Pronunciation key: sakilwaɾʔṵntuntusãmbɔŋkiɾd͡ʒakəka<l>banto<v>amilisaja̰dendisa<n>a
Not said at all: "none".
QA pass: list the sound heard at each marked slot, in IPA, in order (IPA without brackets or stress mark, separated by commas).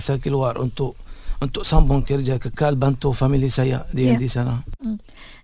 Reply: l, f, n